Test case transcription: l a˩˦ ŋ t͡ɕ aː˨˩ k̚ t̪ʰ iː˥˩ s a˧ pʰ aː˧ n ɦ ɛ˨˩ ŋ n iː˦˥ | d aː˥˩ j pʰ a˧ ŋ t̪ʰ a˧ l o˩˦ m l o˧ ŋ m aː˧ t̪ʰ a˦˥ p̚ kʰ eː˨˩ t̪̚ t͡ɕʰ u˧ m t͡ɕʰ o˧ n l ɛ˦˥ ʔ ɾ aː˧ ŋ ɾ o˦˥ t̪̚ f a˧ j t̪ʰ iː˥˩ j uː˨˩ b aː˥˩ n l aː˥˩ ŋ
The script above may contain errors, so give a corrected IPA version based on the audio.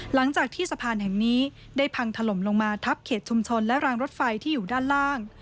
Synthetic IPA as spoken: l a˩˦ ŋ t͡ɕ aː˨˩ k̚ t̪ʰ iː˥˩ s a˧ pʰ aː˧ n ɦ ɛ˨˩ ŋ n iː˦˥ | d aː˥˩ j pʰ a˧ ŋ t̪ʰ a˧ l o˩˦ m l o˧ ŋ m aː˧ t̪ʰ a˦˥ p̚ kʰ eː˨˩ t̪̚ t͡ɕʰ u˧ m t͡ɕʰ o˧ n l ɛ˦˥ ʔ ɾ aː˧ ŋ ɾ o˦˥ t̪̚ f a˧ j t̪ʰ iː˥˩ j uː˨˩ d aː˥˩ n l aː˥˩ ŋ